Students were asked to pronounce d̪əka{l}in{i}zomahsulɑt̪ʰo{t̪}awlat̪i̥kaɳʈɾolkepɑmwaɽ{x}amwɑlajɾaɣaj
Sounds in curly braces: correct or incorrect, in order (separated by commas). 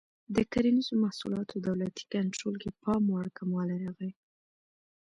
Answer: incorrect, correct, incorrect, incorrect